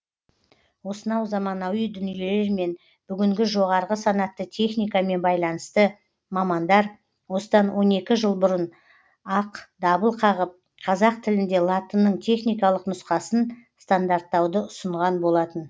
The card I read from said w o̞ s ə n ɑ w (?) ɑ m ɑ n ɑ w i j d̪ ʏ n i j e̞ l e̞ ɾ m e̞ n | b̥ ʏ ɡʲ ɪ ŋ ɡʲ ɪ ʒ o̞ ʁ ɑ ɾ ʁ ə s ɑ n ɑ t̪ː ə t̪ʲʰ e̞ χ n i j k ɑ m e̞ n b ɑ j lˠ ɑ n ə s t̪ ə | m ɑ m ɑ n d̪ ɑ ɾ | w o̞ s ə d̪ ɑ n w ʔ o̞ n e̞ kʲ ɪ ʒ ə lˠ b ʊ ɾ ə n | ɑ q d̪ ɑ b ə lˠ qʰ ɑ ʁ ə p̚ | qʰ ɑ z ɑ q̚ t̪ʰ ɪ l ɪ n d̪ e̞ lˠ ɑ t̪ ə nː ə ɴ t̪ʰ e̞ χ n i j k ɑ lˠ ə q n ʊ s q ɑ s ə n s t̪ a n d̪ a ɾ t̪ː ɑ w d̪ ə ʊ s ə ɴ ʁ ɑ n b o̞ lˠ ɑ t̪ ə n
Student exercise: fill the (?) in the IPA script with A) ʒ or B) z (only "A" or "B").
B